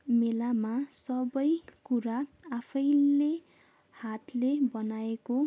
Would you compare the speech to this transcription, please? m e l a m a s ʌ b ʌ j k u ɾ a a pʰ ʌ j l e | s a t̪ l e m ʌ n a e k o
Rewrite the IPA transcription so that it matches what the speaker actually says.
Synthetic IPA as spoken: m e l a m a s ʌ b ʌ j k u ɾ a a pʰ ʌ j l e | h a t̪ l e b ʌ n a e k o